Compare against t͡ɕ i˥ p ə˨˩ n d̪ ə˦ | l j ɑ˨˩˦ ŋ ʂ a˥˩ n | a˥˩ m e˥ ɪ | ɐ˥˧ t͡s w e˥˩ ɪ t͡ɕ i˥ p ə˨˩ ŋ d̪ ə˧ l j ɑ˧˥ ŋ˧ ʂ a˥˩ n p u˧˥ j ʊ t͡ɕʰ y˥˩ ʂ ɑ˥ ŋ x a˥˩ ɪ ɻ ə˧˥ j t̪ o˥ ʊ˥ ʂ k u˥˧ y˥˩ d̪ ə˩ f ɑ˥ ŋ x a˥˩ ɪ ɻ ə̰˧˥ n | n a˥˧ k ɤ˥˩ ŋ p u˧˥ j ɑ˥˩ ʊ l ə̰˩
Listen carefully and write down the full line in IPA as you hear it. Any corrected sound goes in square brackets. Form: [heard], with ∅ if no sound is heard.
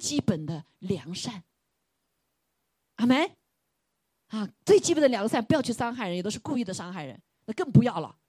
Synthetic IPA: t͡ɕ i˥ p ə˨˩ n d̪ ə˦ | l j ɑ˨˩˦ ŋ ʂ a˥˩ n | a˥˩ m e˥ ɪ | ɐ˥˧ t͡s w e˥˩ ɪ t͡ɕ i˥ p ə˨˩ [n] d̪ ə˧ l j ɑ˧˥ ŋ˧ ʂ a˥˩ n p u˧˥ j ʊ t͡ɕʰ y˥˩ ʂ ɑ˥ ŋ x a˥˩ ɪ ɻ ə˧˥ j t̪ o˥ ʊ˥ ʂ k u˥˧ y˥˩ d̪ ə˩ [ʂ] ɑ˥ ŋ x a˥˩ ɪ ɻ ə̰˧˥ n | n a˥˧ k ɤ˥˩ ŋ p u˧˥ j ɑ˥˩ ʊ l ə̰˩